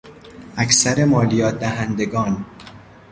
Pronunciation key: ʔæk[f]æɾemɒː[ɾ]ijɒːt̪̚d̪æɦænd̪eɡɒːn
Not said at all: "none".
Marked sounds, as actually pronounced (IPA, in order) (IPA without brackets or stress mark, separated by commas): s, l